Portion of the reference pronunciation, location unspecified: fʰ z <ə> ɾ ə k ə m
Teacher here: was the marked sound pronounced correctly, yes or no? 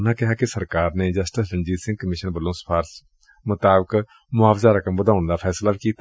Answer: no